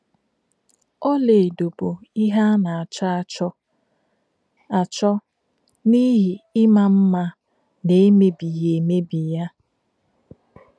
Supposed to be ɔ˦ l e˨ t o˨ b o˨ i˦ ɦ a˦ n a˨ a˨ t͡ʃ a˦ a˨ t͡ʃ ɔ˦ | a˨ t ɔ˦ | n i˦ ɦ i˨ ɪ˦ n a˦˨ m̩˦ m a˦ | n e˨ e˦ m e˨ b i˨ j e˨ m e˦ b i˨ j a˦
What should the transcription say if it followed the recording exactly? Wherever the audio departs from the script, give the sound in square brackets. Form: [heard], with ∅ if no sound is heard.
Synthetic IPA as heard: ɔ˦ l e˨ [d] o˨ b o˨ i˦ ɦ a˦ n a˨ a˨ t͡ʃ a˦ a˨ t͡ʃ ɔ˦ | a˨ [t͡ʃ] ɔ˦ | n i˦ ɦ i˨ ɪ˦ [m] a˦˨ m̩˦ m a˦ | n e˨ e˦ m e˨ b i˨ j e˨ m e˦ b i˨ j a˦